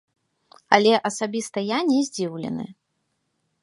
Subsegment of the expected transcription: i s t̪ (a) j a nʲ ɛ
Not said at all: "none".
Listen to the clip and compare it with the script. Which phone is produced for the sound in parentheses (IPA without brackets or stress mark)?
ɐ